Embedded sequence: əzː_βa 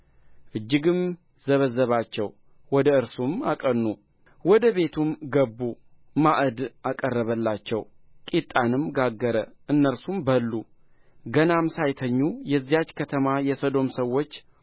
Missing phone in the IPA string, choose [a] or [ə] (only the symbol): ə